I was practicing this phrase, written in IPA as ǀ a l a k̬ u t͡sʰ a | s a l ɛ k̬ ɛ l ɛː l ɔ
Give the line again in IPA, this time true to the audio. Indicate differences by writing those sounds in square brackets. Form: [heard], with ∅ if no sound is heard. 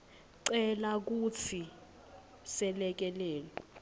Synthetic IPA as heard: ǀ [ɛ] l a k̬ u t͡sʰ [i] | s [ɛ] l ɛ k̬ ɛ l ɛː l ɔ